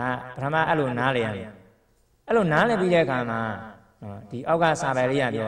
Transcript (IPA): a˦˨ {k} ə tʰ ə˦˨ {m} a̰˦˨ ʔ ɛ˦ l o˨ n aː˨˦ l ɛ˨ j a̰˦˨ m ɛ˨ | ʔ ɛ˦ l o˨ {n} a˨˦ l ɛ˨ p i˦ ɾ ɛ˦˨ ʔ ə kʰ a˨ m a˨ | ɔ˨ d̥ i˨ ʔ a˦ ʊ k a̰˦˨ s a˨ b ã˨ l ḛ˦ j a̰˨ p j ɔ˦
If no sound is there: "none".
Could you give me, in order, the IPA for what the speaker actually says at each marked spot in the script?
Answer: p, m, n

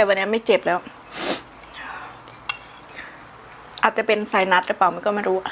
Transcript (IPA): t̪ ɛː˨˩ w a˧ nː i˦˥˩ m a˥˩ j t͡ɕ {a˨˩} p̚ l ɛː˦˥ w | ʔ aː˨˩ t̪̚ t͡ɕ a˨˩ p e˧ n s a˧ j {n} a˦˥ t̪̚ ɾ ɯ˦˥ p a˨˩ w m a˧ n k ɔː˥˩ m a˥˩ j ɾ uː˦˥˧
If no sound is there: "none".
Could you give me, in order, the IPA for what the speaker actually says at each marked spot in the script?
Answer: e˨˩, n

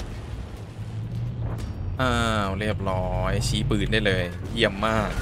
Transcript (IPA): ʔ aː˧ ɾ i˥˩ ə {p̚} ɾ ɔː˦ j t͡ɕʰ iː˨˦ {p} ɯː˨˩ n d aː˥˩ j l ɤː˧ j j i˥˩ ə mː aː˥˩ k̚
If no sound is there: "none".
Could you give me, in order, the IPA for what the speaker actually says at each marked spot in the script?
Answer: p̚, p

